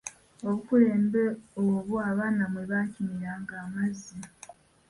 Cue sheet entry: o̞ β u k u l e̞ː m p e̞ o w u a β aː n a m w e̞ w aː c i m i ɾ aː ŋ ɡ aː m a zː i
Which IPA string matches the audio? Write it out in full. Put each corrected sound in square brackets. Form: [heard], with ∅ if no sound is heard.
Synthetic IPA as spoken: o̞ β u k u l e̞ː m [b] e̞ o [β] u a β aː n a m w e̞ [β] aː c i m i ɾ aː ŋ ɡ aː m a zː i

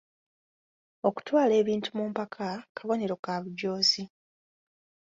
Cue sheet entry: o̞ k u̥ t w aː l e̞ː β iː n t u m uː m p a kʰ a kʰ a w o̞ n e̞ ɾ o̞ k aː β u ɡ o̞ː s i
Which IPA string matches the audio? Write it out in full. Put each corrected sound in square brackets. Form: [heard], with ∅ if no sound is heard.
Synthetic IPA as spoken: o̞ k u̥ t w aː l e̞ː β iː n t u m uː m p a kʰ a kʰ a [β] o̞ n e̞ ɾ o̞ k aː β u [ɟ] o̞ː [z] i

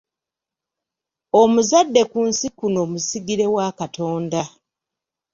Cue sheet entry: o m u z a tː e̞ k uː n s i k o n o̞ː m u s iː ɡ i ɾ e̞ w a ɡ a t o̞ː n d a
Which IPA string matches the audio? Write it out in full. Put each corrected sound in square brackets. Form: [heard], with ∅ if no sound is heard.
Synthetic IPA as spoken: o m u z a [dː] e̞ k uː n s i k [u] n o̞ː m u s [i] ɡ i ɾ e̞ w a [k] a t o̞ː n d a

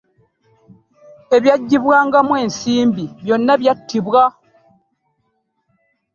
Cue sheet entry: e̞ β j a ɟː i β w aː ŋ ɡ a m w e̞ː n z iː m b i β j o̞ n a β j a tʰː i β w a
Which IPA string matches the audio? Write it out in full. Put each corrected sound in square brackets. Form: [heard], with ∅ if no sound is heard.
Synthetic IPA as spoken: e̞ β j a ɟː i β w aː ŋ ɡ a m w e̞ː n [s] iː m b i β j o̞ [nː] a β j a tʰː i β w a

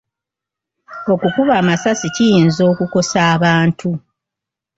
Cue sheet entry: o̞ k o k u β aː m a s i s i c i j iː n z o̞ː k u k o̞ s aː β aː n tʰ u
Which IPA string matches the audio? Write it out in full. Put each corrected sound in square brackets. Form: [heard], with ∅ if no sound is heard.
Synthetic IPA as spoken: o̞ k [u] k u β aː m a s [a] s i c i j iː n z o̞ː k u k o̞ s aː β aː n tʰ u

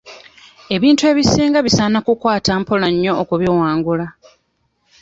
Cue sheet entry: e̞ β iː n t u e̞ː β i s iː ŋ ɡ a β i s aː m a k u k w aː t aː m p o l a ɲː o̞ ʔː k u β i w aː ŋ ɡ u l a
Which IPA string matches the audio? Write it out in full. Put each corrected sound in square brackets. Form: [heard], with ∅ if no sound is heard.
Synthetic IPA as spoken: e̞ β iː n t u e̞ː β i s iː ŋ ɡ a β i s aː [n] a k u k w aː t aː m p o l a ɲː o̞ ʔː k u β i w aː ŋ ɡ u l a

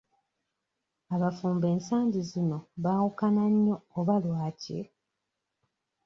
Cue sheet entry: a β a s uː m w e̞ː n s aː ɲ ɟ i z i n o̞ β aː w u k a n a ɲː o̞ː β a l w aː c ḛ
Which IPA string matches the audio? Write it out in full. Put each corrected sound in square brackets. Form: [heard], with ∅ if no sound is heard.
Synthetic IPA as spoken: a β a [f] uː m [b] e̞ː n s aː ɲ ɟ i z i n o̞ β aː w u k a n a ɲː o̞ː β a l w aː c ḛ

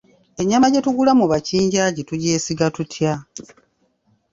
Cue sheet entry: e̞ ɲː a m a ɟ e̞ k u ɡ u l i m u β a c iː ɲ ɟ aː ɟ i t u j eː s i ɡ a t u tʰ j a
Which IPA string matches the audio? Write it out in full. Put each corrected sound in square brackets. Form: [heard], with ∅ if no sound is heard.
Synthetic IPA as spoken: e̞ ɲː a m a ɟ e̞ [t] u ɡ u l [a] m u β a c iː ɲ ɟ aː ɟ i t u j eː s i ɡ a t u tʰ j a

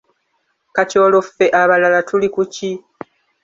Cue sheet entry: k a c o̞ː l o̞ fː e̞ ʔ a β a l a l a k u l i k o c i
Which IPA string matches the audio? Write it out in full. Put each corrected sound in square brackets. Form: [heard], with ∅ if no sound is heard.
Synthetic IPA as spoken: k a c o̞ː l o̞ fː e̞ ʔ a β a l a l a [t] u l i k [u] c i

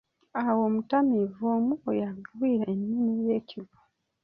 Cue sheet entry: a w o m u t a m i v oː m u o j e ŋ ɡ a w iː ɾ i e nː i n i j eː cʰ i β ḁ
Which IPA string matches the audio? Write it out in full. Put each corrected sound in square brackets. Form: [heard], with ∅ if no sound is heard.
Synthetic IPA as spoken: a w o m u t a m i v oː m u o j [a] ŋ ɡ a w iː ɾ [a] e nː i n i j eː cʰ i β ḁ

